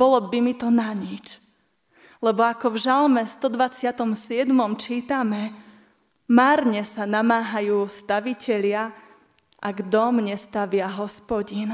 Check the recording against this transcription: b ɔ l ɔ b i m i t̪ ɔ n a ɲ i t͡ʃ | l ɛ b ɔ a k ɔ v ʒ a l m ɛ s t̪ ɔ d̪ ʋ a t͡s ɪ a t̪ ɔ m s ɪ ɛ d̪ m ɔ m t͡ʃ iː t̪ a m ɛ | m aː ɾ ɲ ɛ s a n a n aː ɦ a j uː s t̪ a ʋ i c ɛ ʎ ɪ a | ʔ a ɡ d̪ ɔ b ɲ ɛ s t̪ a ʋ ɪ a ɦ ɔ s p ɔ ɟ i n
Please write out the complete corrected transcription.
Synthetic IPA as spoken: b ɔ l ɔ b i m i t̪ ɔ n a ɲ i t͡ʃ | l ɛ b ɔ a k ɔ v ʒ a l m ɛ s t̪ ɔ d̪ ʋ a t͡s ɪ a t̪ ɔ m s ɪ ɛ d̪ m ɔ m t͡ʃ iː t̪ a m ɛ | m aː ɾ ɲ ɛ s a n a m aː ɦ a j uː s t̪ a ʋ i c ɛ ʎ ɪ a | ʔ a ɡ d̪ ɔ m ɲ ɛ s t̪ a ʋ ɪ a ɦ ɔ s p ɔ ɟ i n